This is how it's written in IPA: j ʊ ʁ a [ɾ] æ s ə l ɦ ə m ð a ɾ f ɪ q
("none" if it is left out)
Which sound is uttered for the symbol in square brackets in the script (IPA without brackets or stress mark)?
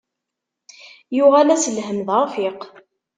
l